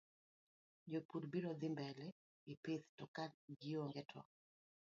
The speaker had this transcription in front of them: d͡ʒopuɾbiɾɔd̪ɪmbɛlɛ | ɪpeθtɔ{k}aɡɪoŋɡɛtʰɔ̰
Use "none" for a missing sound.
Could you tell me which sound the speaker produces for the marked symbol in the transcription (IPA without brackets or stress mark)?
k